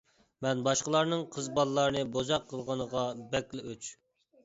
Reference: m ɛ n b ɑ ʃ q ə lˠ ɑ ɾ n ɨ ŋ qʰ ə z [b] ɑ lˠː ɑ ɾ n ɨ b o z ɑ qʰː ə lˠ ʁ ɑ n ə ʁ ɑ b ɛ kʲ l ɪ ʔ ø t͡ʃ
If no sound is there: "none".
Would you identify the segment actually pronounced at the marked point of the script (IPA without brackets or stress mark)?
b